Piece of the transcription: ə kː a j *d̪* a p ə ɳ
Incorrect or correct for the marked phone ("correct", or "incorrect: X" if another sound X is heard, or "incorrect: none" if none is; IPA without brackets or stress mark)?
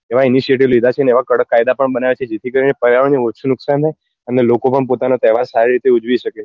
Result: correct